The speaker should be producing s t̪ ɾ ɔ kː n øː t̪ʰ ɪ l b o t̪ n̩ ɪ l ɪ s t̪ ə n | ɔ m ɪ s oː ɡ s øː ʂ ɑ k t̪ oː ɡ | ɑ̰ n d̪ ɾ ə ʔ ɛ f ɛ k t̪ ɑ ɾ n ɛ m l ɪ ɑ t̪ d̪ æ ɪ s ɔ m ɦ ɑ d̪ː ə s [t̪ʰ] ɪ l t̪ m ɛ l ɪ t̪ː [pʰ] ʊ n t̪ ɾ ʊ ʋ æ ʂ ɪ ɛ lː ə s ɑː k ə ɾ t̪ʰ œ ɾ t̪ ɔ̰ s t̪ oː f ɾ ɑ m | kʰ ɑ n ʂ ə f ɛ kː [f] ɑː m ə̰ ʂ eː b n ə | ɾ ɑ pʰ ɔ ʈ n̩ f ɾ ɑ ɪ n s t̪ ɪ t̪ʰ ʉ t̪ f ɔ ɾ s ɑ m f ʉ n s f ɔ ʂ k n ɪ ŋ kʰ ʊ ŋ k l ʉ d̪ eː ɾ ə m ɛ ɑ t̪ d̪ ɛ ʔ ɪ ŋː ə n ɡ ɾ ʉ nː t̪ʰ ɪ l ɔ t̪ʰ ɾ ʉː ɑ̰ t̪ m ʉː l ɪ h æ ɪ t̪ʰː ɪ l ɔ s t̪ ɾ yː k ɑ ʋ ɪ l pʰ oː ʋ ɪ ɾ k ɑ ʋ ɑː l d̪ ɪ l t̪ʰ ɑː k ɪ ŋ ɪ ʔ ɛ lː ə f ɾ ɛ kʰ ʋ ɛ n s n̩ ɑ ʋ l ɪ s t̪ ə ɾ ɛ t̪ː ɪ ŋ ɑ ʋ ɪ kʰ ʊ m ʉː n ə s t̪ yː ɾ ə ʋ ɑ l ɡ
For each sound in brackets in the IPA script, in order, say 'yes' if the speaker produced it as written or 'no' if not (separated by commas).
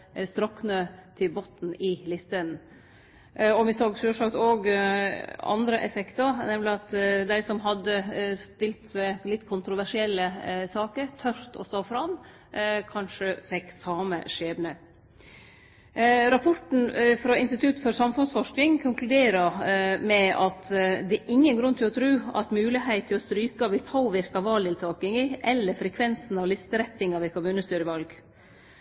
no, no, no